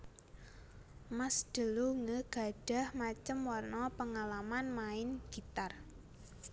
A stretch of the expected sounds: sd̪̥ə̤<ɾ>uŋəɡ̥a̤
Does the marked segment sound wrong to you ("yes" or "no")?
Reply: yes